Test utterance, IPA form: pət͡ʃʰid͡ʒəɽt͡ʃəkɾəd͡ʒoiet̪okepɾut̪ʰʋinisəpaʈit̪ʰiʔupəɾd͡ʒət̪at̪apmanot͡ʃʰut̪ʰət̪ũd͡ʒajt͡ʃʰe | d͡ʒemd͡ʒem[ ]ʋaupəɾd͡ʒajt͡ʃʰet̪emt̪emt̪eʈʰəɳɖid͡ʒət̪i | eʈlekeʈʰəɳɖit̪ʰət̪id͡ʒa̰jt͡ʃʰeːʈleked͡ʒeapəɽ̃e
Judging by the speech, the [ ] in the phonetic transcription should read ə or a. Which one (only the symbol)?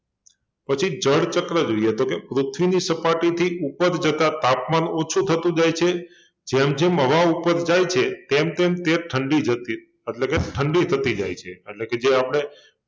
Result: ə